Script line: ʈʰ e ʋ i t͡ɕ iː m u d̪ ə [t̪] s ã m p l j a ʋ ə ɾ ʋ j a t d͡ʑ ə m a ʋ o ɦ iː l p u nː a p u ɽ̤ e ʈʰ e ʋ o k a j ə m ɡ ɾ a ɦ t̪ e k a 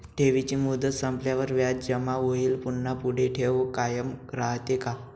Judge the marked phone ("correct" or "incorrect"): correct